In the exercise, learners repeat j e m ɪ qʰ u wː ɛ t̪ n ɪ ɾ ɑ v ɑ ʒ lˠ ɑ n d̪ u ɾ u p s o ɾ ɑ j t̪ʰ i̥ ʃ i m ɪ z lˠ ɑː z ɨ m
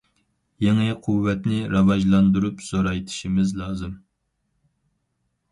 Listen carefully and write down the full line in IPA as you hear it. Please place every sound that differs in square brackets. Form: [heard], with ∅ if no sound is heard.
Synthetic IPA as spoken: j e [ŋ] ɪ qʰ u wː ɛ t̪ n ɪ ɾ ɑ v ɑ ʒ lˠ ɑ n d̪ u ɾ u p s o ɾ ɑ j t̪ʰ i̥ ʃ i m ɪ z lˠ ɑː z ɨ m